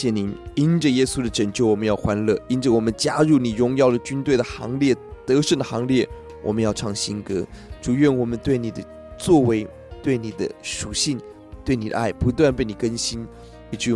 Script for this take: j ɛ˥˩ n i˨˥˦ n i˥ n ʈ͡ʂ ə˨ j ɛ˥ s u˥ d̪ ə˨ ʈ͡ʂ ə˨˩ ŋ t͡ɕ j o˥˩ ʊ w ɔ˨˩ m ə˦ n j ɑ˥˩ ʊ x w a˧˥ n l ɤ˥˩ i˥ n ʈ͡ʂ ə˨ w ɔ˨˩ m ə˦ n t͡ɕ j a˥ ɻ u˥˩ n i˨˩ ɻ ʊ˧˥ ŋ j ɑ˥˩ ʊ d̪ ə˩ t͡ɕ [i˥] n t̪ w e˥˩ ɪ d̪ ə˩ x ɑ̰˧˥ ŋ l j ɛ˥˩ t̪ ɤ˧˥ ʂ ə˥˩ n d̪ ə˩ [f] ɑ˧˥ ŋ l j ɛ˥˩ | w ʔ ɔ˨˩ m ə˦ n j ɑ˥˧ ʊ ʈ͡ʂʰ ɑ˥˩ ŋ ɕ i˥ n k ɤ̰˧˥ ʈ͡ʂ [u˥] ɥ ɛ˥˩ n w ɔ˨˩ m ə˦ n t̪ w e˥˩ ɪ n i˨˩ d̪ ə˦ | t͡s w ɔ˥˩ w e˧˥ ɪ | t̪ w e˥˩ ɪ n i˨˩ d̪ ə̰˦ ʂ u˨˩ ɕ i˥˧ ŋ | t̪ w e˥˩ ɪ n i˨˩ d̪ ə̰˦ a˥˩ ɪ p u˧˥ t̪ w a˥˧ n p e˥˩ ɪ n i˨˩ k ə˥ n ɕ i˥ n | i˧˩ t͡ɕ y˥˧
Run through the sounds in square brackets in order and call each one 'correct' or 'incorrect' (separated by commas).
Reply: incorrect, incorrect, incorrect